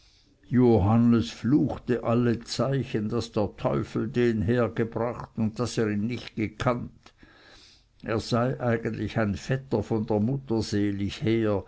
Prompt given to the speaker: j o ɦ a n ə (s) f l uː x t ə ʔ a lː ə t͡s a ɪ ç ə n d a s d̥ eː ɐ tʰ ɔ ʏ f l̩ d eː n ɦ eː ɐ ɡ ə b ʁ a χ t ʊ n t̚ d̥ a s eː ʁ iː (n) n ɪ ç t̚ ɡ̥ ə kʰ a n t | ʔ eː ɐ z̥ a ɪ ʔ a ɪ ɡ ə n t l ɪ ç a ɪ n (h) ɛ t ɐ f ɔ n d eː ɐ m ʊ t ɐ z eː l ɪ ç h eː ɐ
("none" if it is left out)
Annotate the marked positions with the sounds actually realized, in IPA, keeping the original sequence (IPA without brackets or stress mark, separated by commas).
s, n, f